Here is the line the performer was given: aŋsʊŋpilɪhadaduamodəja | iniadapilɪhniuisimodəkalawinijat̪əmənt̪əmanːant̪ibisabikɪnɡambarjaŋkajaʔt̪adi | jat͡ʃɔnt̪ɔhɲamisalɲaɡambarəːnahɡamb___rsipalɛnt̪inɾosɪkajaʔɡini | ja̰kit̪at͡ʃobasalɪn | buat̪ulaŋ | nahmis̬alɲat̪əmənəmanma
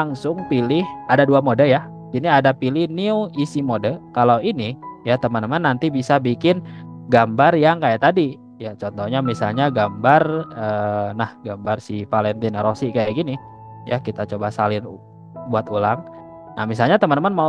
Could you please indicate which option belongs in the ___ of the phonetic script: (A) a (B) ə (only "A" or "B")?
A